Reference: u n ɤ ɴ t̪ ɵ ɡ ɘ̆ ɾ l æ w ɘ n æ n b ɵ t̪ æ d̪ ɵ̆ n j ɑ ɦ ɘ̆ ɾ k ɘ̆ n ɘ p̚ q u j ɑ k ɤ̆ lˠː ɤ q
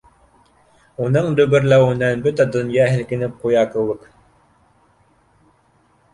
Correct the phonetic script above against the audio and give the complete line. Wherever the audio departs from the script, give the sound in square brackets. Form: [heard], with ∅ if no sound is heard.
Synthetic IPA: u n ɤ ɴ [d̪] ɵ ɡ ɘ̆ ɾ l æ w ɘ n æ n b ɵ t̪ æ d̪ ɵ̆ n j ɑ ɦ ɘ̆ [l] k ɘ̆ n ɘ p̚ q u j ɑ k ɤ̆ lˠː ɤ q